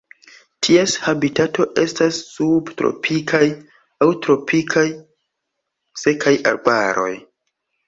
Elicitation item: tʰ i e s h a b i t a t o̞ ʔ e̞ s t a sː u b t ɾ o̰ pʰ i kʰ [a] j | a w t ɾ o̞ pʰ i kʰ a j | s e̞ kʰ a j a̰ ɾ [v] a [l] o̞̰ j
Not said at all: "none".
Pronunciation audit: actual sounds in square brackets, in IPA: a, b, ɾ

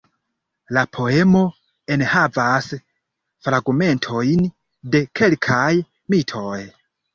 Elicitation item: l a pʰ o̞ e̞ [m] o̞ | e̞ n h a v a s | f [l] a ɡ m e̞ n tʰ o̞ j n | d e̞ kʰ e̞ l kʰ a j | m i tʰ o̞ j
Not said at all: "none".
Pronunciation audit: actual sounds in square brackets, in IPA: m, ɾ

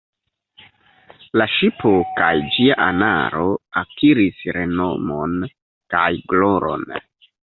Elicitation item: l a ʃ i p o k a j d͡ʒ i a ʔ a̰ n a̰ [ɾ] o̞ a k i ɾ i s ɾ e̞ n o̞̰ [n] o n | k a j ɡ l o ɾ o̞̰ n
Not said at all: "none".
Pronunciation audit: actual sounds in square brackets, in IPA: ɾ, m

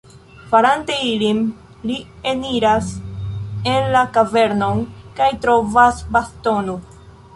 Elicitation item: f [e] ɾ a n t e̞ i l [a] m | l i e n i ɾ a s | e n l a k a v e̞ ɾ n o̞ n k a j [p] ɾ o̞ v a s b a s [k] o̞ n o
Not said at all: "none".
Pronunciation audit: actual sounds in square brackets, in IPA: a, i, t, t

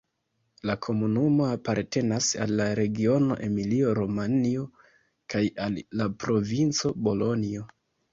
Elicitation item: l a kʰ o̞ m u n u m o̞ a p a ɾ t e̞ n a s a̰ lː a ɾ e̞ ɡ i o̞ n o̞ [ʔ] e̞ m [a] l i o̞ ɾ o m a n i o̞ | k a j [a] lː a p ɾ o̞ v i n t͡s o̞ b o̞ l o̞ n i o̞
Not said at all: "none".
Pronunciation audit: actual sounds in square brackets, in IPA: ʔ, i, a

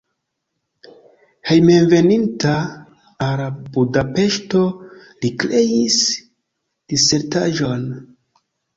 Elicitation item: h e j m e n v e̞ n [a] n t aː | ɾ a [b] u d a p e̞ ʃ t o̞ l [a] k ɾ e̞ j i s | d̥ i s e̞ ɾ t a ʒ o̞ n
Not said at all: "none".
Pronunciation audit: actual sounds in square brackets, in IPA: i, b, i

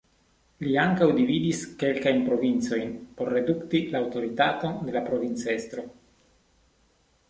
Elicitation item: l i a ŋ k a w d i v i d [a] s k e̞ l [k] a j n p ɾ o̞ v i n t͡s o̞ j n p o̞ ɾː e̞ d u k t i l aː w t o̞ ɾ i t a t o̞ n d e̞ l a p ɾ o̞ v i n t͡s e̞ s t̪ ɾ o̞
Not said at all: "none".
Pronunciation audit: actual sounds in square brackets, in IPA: i, k

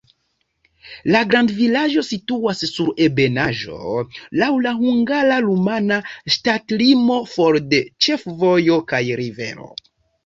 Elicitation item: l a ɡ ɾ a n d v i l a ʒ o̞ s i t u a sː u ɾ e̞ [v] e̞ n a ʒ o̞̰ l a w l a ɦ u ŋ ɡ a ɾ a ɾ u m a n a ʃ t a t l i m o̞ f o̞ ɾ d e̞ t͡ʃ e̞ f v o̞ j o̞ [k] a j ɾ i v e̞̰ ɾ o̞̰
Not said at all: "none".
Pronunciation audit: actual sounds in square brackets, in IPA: b, k

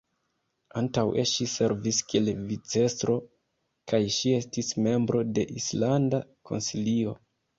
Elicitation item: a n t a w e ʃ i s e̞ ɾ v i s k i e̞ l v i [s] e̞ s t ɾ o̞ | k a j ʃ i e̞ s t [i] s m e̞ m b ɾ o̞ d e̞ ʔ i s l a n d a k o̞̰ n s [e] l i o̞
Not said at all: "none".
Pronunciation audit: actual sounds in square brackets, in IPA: t͡s, i, i

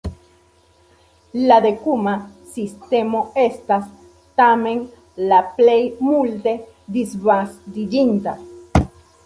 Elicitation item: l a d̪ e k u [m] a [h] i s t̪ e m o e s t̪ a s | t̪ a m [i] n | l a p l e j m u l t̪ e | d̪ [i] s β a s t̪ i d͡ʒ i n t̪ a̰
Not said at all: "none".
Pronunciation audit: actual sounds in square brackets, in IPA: m, s, e, i

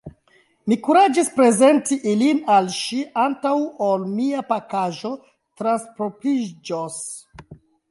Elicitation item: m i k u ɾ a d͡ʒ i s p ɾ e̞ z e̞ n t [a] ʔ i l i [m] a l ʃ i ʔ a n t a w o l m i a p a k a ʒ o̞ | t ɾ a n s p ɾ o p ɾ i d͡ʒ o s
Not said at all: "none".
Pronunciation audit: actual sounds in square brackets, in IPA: i, n

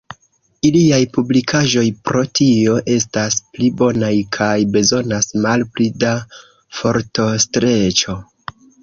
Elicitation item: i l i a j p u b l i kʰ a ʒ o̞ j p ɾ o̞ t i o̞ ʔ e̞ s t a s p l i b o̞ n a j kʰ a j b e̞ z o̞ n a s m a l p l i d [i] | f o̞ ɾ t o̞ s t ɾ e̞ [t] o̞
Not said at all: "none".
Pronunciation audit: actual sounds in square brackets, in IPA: a, t͡ʃ

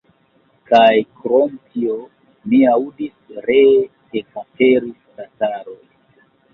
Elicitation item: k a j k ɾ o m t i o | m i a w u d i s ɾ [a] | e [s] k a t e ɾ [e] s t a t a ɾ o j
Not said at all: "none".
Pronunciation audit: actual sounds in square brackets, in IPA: e, none, i

